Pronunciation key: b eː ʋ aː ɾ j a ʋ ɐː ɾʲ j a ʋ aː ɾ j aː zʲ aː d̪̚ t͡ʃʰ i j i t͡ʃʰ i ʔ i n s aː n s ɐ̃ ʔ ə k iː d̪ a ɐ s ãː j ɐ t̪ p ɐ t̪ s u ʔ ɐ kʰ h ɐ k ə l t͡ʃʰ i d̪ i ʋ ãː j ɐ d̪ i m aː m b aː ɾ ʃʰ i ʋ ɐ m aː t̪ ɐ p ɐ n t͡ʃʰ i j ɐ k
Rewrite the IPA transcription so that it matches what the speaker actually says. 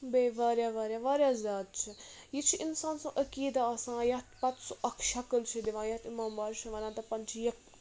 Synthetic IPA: b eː ʋ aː ɾ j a ʋ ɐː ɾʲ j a ʋ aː ɾ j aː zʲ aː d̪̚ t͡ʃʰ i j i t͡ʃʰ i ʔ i n s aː n s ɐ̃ ʔ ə k iː d̪ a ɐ s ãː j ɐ t̪ p ɐ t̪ s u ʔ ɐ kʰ ʃ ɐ k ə l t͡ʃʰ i d̪ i ʋ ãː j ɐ t̪ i m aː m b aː ɾ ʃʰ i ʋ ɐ n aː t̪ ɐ p ɐ n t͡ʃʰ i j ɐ k

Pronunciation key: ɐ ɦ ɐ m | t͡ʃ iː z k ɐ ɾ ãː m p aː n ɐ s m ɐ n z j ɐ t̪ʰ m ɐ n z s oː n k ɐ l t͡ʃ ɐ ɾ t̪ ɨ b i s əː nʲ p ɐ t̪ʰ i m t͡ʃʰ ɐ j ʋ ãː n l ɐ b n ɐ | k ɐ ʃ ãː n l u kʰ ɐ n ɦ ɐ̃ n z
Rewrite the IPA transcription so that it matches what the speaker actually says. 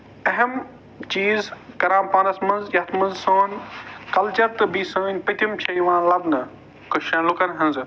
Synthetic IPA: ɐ ɦ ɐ m | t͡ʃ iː z k ɐ ɾ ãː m p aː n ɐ s m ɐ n z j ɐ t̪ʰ m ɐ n z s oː n k ɐ l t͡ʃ ɐ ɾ t̪ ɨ b i s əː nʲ p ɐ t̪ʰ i m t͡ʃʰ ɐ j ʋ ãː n l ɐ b n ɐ | k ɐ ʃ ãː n l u k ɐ n ɦ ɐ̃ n z

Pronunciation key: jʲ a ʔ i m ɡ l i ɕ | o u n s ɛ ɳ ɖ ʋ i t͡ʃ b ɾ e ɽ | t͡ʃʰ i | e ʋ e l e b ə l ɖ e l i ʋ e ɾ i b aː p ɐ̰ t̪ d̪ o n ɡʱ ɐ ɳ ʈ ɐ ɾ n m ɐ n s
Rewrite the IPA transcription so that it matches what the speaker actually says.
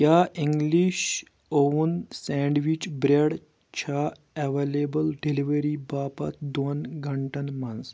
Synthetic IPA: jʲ a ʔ i ŋ ɡ l i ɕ | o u n s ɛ ɳ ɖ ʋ i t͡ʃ b ɾ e ɽ | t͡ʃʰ a | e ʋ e l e b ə l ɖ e l i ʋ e ɾ i b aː p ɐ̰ t̪ d̪ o n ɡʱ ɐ ɳ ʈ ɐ n m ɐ n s

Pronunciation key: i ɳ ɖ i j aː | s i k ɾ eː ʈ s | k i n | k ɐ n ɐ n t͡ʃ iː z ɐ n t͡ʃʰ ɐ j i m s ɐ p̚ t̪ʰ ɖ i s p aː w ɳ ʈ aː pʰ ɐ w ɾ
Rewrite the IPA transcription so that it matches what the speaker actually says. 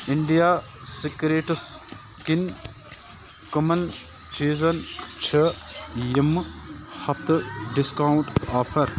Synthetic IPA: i ɳ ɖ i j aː | s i k ɾ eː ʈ s | k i n | k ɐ m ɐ n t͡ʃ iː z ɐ n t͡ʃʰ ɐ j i m h ɐ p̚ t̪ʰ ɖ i s k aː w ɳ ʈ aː pʰ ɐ ɾ

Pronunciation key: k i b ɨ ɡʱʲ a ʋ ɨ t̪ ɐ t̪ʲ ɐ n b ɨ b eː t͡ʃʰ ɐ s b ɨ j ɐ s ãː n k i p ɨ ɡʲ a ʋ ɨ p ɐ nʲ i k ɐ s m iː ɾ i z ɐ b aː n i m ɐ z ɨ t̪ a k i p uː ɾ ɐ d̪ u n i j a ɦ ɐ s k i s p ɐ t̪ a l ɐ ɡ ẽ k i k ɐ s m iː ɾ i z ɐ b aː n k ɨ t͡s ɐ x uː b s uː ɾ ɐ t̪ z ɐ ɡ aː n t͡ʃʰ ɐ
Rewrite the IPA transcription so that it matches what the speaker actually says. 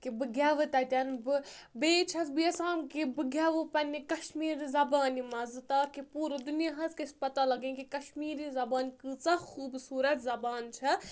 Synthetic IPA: k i b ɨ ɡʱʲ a ʋ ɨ t̪ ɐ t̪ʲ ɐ n b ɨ b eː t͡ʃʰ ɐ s b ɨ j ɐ s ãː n k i b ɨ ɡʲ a ʋ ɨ p ɐ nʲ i k ɐ ʃ m iː ɾ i z ɐ b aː n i m ɐ z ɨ t̪ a k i p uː ɾ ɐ d̪ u n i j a ɦ ɐ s k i s p ɐ t̪ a l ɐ ɡ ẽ k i k ɐ ʃ m iː ɾ i z ɐ b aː n k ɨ t͡s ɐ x uː b s uː ɾ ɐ t̪ z ɐ b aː n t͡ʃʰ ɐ

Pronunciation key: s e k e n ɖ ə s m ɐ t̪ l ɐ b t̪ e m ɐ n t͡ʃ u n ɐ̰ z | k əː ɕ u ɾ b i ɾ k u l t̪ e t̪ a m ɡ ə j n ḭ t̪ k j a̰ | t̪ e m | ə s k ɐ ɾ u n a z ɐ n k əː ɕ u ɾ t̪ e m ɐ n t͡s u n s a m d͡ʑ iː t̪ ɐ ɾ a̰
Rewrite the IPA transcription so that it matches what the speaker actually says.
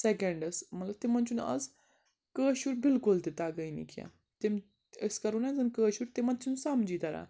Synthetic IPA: s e k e ɳ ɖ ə s m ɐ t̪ l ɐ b t̪ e m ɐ n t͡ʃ u n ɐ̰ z | k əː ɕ u ɾ b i l k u l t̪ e t̪ a ɡ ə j n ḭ k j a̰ | t̪ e m | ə s k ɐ ɾ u n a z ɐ n k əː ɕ u ɾ t̪ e m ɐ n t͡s u n s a m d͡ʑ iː t̪ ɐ ɾ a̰

